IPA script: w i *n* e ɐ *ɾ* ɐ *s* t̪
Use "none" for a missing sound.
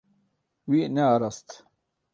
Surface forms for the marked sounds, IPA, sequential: n, ɾ, s

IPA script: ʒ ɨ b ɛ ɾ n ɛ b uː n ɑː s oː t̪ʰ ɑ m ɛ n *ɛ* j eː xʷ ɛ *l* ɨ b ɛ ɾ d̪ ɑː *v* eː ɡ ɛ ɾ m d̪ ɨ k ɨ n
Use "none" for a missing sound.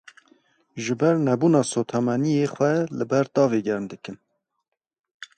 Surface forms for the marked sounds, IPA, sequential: i, l, v

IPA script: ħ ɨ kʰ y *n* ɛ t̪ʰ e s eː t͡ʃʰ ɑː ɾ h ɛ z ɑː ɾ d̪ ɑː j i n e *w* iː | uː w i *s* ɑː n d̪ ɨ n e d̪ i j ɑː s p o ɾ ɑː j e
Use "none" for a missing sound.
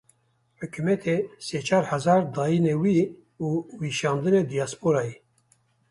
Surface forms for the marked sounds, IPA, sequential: m, w, ʃ

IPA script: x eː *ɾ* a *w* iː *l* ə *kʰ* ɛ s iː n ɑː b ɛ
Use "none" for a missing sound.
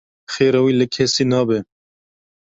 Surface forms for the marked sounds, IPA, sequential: ɾ, w, l, kʰ

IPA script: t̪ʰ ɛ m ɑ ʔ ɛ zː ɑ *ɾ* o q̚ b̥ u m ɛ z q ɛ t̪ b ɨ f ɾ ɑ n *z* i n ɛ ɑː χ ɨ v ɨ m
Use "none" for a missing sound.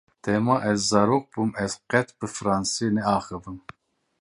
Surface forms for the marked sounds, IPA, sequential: ɾ, s

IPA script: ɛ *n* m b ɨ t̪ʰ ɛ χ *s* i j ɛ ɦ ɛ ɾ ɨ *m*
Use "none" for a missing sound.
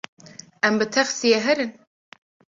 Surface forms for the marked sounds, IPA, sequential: none, s, n

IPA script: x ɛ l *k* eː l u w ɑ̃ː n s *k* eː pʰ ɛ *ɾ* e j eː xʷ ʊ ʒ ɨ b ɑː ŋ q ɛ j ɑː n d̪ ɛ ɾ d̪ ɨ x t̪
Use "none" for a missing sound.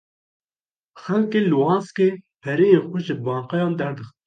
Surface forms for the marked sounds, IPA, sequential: k, k, ɾ

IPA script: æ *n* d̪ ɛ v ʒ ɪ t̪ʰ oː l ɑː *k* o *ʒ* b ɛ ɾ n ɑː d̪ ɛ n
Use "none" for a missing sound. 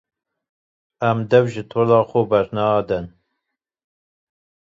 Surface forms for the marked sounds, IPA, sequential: m, x, none

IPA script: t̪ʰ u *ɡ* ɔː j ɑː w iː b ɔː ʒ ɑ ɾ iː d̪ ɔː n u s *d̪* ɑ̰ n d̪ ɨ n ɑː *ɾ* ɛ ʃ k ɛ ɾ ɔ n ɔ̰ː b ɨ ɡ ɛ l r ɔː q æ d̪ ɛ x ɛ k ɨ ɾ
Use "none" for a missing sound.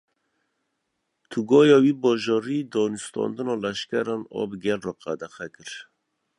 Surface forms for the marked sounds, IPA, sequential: ɡ, t̪, l

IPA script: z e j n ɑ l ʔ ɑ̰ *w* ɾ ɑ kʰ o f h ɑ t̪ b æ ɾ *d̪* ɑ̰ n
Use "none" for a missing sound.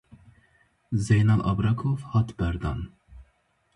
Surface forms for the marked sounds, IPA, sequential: b, d̪

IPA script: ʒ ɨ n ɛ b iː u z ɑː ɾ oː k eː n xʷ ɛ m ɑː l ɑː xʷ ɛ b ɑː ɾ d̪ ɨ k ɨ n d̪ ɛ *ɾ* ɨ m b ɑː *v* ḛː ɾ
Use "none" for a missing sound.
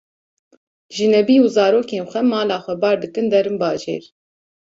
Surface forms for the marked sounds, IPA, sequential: ɾ, ʒ

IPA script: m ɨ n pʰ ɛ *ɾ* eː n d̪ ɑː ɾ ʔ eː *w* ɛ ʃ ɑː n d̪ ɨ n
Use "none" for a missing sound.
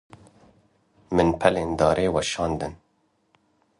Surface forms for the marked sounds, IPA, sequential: l, w

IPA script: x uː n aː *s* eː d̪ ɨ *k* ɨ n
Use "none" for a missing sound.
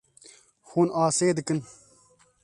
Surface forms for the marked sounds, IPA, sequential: s, k

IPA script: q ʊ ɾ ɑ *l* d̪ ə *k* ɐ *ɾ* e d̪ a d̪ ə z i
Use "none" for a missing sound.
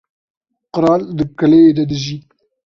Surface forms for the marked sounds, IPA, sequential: l, k, l

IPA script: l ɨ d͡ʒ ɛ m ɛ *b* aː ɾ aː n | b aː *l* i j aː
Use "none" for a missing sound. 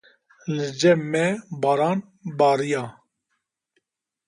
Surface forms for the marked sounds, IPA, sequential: b, ɾ

